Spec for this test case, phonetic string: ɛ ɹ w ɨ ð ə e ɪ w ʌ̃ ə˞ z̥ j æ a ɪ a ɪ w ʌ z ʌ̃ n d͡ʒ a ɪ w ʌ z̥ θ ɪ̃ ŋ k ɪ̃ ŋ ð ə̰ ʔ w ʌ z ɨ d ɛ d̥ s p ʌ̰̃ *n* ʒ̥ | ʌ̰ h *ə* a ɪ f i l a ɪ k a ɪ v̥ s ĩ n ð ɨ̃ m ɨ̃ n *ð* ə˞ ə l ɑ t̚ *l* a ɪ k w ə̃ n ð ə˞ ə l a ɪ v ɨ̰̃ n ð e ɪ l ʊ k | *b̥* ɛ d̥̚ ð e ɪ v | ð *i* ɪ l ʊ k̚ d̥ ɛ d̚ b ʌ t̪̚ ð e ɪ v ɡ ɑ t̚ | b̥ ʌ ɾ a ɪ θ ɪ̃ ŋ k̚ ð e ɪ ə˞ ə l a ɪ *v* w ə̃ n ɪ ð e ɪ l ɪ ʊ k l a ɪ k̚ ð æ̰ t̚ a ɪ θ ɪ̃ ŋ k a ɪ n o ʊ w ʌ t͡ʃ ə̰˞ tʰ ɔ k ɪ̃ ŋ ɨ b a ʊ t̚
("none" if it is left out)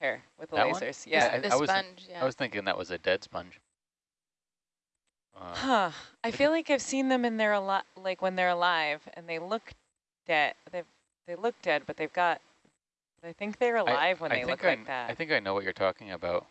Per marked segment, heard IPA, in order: n, ʌ, ð, l, d̥, e, v

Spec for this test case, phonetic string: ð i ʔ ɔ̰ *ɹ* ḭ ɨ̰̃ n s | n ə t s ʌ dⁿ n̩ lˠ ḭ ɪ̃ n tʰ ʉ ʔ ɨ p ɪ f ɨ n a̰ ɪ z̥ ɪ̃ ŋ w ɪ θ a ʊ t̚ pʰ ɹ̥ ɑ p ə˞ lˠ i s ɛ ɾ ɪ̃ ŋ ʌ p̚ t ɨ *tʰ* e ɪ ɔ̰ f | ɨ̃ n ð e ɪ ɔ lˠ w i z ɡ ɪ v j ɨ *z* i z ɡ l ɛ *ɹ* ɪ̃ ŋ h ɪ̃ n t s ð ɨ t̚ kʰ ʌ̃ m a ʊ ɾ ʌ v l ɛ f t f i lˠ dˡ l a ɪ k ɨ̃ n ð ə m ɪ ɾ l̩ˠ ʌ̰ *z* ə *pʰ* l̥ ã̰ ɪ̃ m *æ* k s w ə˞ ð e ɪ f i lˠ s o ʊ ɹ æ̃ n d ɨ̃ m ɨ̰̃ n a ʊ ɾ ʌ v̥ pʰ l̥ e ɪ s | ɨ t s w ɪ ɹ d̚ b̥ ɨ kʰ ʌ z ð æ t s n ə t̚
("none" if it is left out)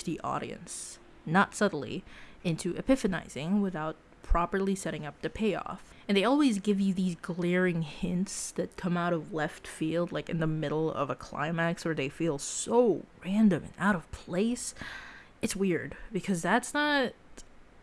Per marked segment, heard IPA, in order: ɾ, pʰ, ð, ɹ, v, kʰ, æ

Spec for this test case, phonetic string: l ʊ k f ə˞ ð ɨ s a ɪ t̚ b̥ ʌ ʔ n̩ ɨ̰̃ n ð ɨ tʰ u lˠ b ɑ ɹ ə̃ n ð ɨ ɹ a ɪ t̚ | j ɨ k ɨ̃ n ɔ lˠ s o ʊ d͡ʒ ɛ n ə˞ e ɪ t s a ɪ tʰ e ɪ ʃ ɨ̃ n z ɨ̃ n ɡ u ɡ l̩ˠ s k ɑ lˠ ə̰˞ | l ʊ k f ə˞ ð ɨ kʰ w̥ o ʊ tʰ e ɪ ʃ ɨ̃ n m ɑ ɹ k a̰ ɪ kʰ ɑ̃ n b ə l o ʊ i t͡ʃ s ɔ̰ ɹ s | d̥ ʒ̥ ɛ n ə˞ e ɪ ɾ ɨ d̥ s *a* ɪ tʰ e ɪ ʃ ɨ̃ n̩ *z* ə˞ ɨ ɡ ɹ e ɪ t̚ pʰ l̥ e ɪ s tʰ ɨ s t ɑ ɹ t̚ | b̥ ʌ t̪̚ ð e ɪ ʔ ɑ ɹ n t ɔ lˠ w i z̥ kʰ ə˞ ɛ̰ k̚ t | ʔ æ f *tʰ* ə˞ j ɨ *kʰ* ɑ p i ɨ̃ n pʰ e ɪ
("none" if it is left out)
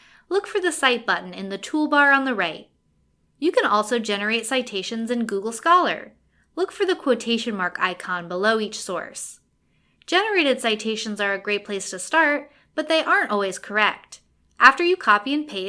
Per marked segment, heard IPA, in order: a, z, t, kʰ

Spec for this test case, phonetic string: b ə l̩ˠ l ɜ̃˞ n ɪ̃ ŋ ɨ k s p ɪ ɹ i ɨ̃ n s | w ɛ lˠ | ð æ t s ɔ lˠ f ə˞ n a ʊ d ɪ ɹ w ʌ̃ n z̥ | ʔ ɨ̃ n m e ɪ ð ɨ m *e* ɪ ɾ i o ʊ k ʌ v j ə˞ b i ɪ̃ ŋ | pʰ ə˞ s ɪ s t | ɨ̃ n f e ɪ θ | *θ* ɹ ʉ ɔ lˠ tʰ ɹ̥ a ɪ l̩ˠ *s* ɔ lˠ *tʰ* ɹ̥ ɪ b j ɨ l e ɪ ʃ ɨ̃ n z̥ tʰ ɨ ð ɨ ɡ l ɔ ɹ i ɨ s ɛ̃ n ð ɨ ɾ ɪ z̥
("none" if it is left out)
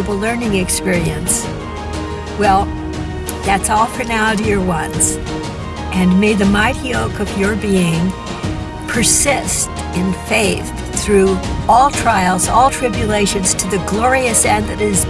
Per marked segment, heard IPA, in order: a, θ, z, tʰ

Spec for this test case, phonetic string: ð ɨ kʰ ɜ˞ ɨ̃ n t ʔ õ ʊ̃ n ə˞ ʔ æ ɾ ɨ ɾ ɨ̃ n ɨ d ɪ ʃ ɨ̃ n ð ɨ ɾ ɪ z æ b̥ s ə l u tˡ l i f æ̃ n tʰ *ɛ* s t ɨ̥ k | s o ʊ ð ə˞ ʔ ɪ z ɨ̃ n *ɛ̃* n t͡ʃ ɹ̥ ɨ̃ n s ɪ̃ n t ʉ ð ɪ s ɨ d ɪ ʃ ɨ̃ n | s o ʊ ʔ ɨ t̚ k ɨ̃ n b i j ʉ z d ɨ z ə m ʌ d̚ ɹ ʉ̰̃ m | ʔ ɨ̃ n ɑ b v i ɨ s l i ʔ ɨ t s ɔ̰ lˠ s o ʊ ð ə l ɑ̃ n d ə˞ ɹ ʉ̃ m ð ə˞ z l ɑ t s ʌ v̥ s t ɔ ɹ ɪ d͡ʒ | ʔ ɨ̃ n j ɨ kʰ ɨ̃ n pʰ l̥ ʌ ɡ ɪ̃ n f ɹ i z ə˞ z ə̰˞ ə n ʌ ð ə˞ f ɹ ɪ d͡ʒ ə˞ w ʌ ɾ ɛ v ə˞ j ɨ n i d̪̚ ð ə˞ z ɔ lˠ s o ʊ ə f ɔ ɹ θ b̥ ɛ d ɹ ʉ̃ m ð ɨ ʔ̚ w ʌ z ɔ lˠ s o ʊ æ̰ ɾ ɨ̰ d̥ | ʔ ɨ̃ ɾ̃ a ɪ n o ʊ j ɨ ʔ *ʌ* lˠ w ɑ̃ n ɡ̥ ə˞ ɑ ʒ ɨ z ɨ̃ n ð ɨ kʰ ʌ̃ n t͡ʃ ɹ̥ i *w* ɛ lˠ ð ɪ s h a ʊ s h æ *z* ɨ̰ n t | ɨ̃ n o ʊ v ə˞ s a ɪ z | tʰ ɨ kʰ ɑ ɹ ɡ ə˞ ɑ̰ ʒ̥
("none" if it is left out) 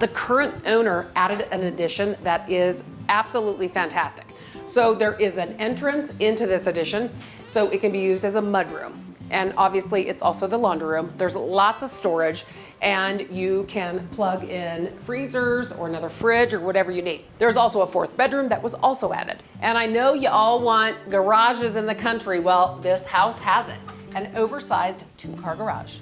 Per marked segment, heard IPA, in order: æ, ɛ̃, ɔ, w, z

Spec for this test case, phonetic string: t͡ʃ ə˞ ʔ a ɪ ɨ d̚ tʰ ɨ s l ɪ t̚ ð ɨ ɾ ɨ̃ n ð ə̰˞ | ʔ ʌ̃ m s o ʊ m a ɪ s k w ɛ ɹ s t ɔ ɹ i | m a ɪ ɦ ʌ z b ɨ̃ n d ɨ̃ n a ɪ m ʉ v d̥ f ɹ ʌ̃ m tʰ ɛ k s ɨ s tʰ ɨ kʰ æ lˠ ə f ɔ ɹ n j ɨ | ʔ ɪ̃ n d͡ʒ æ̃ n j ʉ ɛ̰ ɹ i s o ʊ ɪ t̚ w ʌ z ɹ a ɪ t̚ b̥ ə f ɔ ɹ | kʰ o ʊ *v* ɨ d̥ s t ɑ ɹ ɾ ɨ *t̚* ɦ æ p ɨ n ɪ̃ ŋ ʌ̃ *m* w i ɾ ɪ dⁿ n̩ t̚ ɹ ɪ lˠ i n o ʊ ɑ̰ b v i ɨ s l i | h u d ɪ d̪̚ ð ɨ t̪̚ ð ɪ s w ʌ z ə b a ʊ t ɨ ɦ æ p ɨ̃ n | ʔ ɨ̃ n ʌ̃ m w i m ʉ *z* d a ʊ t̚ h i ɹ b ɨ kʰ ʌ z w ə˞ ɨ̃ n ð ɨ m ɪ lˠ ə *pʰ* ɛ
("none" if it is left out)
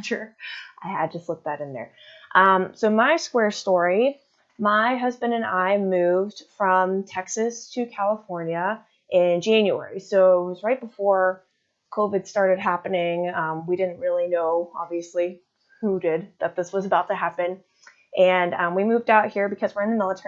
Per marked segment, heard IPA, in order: v, d̚, m, v, tʰ

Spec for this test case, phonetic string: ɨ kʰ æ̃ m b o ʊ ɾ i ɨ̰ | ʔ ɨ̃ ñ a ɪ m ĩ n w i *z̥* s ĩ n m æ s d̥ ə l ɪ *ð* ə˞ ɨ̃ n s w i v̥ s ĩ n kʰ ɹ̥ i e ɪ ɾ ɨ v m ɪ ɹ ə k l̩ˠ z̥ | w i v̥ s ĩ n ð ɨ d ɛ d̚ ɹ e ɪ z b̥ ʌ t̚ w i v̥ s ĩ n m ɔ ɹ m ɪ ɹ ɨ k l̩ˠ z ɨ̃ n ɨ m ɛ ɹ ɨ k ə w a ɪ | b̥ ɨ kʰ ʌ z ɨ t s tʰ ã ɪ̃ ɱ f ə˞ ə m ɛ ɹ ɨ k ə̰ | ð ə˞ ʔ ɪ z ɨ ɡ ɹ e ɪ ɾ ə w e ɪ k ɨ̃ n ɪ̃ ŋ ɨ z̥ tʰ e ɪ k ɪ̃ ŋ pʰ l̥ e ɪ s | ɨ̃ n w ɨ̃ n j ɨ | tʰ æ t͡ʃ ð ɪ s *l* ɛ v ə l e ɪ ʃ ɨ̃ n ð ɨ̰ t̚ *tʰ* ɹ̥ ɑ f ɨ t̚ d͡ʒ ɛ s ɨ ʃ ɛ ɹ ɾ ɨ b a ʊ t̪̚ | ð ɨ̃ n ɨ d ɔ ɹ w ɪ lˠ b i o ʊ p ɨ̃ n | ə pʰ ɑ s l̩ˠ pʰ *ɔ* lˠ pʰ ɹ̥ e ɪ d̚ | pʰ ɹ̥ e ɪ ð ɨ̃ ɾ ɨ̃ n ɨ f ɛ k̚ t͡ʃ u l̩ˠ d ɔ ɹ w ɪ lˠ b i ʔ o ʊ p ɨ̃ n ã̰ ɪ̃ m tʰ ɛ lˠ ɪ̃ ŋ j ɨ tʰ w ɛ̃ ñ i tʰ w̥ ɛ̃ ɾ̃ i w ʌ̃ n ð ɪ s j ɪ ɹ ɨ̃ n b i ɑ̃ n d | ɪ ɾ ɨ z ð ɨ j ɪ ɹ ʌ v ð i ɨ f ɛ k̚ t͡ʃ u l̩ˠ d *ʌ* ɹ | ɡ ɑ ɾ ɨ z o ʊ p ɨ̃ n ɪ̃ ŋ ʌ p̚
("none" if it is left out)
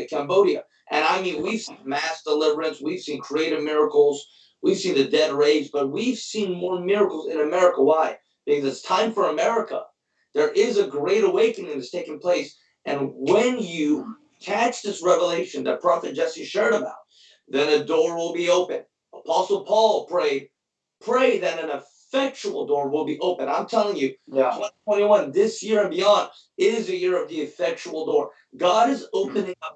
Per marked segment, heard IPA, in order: v̥, v, ɹ, pʰ, ɔ, ɔ

